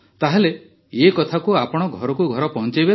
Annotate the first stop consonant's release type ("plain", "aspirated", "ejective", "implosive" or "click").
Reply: plain